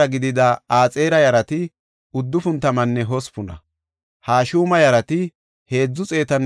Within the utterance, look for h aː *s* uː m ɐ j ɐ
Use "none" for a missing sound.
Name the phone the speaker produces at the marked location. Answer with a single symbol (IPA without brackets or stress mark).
ʃ